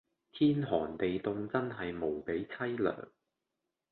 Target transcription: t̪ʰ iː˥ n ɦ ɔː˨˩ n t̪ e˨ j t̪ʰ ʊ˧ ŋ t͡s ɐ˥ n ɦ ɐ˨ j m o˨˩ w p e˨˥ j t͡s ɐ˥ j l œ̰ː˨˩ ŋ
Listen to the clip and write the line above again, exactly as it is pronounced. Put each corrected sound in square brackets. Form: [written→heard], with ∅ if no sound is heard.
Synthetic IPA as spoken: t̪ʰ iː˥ n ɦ ɔː˨˩ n t̪ e˨ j [t̪ʰ→t̪] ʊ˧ ŋ t͡s ɐ˥ n ɦ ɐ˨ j m o˨˩ w p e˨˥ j [t͡s→t͡sʰ] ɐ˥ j l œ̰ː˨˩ ŋ